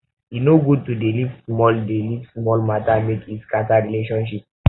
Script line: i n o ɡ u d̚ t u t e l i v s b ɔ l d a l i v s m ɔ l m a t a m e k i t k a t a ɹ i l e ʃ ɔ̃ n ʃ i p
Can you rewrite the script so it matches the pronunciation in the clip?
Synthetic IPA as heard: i n o ɡ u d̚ t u d e l i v s m ɔ l d e l i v s m ɔ l m a t a m e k i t k a t a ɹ i l e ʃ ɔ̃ n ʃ i p